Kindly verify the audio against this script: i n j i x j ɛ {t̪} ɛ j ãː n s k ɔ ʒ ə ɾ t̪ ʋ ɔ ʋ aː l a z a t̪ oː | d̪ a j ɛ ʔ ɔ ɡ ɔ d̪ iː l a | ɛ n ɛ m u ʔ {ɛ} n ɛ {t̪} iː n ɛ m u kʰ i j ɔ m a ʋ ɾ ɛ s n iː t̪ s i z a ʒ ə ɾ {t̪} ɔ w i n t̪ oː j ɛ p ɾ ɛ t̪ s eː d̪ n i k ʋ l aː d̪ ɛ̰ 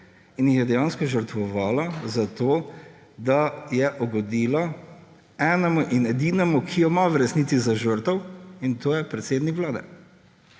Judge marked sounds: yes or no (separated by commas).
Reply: no, no, no, yes